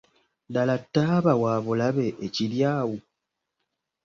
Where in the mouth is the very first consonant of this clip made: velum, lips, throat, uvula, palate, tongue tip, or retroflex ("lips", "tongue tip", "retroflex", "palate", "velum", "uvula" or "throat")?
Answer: tongue tip